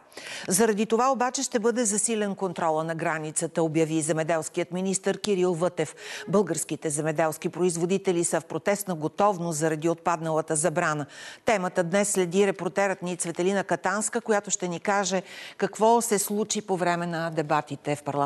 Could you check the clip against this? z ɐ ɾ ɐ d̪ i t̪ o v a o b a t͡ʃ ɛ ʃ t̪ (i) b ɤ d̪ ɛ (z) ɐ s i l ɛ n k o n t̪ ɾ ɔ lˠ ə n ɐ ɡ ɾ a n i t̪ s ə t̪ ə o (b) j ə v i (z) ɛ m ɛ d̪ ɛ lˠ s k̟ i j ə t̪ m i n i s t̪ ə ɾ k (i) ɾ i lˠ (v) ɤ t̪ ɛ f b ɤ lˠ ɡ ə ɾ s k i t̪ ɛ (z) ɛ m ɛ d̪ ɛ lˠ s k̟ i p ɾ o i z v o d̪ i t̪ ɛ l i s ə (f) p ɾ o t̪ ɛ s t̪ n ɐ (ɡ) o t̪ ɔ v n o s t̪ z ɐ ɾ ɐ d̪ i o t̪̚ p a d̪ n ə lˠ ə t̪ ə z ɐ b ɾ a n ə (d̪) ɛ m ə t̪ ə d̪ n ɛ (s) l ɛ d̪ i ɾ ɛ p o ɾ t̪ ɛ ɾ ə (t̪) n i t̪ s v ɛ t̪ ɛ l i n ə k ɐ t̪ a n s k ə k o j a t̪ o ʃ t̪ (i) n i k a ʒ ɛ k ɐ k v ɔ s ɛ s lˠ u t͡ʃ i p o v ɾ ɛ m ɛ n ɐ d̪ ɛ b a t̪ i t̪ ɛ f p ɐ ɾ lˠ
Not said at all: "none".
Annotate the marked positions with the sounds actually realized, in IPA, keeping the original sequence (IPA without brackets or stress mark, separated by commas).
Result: ɛ, z, b, z, i, v, z, f, ɡ, t̪, sː, t̪, ɛ